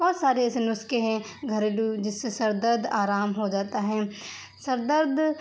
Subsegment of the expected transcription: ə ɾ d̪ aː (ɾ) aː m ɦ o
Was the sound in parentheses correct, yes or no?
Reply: yes